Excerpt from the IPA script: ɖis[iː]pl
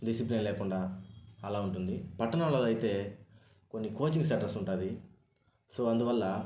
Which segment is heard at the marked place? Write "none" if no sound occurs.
i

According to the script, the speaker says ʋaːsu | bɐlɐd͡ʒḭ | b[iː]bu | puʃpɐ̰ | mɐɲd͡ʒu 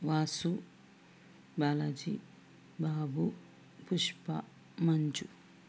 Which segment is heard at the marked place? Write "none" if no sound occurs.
aː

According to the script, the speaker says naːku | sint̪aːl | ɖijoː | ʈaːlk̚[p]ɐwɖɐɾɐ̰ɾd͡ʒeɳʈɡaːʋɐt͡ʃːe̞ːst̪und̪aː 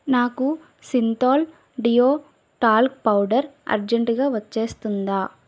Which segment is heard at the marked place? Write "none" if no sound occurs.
p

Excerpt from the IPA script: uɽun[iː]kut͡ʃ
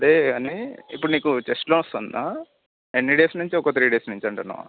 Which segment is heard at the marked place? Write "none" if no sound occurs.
iː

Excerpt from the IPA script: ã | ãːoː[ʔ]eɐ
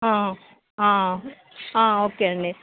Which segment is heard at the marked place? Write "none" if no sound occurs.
k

